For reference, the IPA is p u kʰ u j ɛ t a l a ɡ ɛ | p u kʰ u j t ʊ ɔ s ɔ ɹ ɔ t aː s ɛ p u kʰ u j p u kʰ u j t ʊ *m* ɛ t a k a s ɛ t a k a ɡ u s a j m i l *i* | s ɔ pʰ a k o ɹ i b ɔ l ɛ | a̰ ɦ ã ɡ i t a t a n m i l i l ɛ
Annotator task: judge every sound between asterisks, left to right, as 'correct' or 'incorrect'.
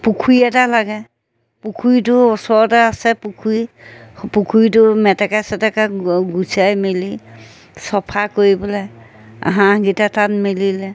correct, correct

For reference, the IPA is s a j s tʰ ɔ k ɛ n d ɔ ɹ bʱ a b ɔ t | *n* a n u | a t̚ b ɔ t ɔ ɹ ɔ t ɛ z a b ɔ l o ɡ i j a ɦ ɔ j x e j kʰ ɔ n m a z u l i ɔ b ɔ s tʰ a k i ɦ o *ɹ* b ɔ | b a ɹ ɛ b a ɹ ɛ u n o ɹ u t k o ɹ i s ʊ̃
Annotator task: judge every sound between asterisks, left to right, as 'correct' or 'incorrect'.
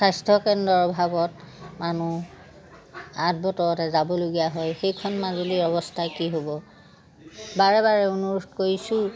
incorrect: m, incorrect: none

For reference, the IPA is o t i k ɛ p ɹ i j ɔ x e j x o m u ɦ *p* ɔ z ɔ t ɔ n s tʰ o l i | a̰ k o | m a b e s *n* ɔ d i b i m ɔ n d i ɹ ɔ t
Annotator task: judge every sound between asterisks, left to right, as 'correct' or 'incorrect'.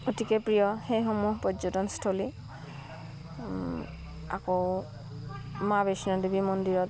correct, correct

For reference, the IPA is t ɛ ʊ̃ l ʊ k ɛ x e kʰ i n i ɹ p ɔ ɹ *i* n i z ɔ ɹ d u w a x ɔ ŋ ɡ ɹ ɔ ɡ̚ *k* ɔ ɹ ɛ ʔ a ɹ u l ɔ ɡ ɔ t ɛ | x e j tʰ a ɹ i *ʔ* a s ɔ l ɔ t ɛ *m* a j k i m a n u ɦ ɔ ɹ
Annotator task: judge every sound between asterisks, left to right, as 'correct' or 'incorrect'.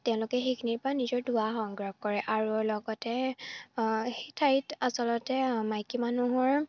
incorrect: a, correct, incorrect: t, correct

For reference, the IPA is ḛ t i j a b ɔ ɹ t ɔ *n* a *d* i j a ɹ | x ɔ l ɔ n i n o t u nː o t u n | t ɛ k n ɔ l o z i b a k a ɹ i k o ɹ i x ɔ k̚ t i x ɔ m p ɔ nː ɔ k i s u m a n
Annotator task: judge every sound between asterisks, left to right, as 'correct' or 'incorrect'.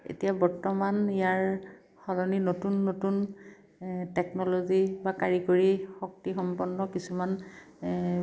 incorrect: m, incorrect: n

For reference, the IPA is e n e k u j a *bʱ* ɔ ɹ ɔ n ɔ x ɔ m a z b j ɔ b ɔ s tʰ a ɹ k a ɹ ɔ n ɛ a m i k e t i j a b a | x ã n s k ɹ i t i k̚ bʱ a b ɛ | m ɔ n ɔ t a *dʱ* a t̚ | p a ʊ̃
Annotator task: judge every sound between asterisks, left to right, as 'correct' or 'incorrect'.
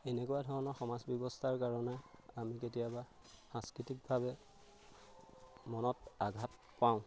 incorrect: dʱ, incorrect: ɡʱ

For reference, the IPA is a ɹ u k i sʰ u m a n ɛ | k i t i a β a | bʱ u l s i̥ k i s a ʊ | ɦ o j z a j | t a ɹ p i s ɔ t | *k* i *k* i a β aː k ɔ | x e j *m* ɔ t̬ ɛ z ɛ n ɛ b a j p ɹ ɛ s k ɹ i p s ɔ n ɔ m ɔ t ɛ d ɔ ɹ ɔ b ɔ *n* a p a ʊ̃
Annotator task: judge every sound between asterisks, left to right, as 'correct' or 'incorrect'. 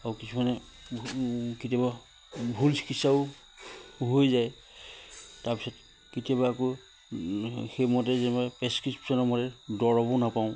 correct, incorrect: t, correct, correct

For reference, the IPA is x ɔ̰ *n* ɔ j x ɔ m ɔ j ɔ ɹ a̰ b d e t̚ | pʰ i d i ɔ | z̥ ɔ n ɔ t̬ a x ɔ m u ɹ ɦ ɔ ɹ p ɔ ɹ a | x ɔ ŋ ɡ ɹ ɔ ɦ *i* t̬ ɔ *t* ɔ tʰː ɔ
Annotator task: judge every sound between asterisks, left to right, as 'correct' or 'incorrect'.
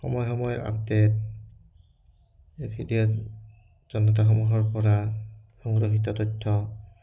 incorrect: m, correct, correct

